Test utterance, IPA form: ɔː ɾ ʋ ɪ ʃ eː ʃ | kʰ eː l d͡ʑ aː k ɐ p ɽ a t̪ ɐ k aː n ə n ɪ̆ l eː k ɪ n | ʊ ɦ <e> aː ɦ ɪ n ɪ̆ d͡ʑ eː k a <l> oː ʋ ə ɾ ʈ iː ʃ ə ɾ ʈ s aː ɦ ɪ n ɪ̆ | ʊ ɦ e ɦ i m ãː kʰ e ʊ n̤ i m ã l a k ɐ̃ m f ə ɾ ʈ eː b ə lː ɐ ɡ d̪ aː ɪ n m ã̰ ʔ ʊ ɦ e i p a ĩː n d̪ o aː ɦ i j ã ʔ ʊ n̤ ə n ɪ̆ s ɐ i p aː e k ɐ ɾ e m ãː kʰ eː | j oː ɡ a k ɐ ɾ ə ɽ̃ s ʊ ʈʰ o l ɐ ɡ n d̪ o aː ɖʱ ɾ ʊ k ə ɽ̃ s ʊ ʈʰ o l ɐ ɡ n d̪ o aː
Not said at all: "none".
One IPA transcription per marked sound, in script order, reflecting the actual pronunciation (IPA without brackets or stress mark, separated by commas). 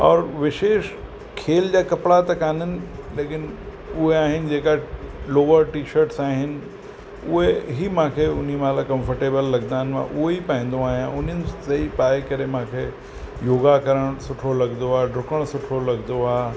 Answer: e, l